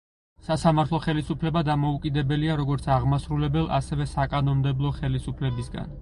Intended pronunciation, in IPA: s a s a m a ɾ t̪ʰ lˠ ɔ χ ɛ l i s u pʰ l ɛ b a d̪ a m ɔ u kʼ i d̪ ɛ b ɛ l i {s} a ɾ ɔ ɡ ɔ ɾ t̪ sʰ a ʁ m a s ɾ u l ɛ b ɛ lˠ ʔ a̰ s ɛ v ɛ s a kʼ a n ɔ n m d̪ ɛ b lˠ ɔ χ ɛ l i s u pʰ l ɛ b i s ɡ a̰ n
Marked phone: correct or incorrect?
incorrect